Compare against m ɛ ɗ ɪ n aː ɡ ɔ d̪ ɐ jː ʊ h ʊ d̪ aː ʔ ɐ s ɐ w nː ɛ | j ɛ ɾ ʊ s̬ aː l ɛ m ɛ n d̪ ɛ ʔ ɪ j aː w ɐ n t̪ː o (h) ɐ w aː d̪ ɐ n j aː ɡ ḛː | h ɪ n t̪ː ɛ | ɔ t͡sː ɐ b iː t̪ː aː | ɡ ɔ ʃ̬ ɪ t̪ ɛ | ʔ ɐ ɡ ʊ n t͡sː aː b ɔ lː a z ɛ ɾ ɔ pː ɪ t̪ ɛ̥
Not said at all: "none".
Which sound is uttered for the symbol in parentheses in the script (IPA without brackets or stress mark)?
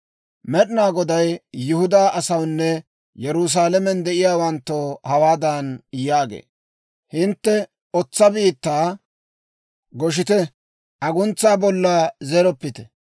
h